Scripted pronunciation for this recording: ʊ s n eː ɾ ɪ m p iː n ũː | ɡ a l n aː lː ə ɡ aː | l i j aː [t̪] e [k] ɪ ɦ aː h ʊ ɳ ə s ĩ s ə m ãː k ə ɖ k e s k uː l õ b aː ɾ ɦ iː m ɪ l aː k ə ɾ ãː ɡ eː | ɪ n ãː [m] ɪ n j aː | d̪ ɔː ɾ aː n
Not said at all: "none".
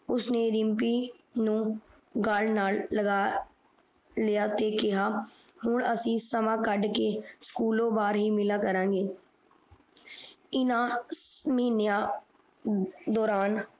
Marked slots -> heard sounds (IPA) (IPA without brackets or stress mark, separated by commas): t̪, k, m